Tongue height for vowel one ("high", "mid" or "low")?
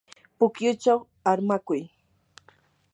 high